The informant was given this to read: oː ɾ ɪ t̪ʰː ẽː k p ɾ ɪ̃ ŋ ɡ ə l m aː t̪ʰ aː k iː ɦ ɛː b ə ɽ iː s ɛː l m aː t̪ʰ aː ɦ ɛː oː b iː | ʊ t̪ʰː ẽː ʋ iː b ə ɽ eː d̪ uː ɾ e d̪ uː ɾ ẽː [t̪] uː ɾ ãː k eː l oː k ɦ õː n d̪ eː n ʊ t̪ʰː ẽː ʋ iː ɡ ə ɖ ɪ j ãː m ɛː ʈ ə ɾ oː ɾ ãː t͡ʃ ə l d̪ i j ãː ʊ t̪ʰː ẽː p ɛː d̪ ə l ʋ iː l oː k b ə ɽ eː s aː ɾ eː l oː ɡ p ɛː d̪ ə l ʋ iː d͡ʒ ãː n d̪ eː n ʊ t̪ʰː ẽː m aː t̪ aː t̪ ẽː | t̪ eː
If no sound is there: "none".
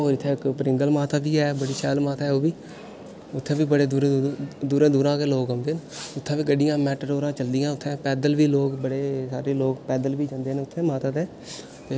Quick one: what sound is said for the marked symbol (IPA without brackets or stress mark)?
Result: d̪